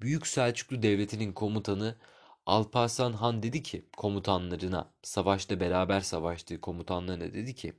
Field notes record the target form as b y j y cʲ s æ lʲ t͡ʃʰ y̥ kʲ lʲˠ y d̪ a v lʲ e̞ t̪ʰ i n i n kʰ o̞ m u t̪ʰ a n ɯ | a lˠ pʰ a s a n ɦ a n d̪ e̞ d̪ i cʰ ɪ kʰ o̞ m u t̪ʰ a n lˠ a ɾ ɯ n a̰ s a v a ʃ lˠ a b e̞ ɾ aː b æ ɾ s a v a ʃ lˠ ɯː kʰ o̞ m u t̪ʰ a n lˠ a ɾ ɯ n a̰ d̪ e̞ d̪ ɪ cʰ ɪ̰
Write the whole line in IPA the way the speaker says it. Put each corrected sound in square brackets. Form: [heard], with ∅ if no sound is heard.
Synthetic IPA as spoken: b y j y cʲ s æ lʲ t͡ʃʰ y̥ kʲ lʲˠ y d̪ [ɛ] v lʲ e̞ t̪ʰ i n i n kʰ o̞ m u t̪ʰ a n ɯ | a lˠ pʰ a s a n ɦ a n d̪ e̞ d̪ i cʰ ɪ kʰ o̞ m u t̪ʰ a n lˠ a ɾ ɯ n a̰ s a v a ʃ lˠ a b e̞ ɾ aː b æ ɾ s a v a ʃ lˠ ɯː kʰ o̞ m u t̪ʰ a n lˠ a ɾ ɯ n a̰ d̪ e̞ d̪ [i] cʰ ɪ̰